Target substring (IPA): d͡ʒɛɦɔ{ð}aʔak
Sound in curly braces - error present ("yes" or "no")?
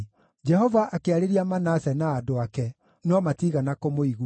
yes